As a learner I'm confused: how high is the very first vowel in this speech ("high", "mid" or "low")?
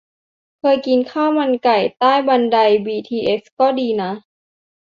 mid